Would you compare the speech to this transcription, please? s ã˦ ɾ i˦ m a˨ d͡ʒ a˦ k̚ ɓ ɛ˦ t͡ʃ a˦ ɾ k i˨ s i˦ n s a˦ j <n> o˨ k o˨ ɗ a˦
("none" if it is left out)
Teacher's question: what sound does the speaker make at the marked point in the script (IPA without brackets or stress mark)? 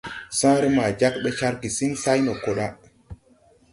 n